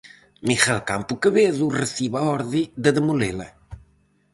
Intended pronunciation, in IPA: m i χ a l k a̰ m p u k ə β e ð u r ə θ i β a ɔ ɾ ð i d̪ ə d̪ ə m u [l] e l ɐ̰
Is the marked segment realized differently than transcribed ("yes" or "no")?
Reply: no